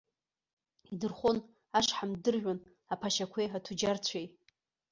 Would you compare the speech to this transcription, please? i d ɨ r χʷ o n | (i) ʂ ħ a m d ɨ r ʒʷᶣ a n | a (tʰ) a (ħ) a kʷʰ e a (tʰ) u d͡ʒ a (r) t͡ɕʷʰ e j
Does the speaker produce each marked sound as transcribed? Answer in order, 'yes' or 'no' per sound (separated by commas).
no, no, no, yes, yes